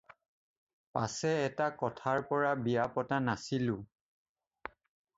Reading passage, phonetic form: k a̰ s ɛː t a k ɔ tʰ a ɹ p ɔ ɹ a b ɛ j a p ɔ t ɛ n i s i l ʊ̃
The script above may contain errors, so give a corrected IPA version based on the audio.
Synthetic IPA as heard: p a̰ s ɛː t a k ɔ tʰ a ɹ p ɔ ɹ a b i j a p ɔ t a n a s i l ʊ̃